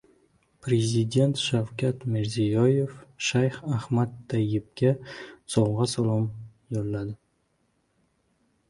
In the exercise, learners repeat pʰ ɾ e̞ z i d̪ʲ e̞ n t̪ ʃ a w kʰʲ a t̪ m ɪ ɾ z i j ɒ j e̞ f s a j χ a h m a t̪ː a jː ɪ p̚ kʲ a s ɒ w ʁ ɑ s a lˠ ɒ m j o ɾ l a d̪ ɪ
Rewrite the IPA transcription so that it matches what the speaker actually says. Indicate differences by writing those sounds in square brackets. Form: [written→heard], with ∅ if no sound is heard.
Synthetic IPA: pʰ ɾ e̞ z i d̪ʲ e̞ n t̪ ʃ a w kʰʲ a t̪ m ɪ ɾ z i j ɒ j e̞ f [s→ʃ] a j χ a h m a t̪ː a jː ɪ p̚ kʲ a s ɒ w ʁ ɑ s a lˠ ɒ m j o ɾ l a d̪ ɪ